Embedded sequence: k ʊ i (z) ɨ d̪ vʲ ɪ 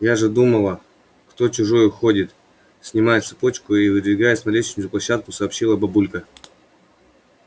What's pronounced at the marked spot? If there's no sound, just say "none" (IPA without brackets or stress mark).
v